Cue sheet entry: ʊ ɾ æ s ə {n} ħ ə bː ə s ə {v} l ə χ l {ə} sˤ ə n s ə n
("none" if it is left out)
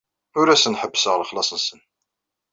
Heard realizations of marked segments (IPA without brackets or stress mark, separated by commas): n, ʁ, ɑ